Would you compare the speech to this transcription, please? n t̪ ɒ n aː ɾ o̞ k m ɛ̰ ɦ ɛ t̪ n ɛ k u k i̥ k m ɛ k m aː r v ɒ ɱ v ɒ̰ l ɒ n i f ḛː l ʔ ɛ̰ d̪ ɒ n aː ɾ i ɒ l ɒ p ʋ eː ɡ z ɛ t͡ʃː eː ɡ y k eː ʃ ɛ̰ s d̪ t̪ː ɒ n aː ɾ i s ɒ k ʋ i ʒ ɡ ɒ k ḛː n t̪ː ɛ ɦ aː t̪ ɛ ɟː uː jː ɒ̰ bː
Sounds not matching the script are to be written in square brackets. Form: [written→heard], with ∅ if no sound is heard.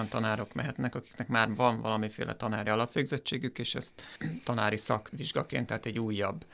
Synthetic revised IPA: n t̪ ɒ n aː ɾ o̞ k m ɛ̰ ɦ ɛ t̪ n ɛ k [u→ɒ] k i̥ k [m→n] ɛ k m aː r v ɒ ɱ v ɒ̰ l ɒ [n→m] i f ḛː l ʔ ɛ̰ [d̪→t̪] ɒ n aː ɾ i ɒ l ɒ p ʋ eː ɡ z ɛ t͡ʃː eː ɡ y k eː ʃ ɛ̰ s [d̪→t̪] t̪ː ɒ n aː ɾ i s ɒ k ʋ i ʒ ɡ ɒ k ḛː n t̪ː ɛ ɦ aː t̪ ɛ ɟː uː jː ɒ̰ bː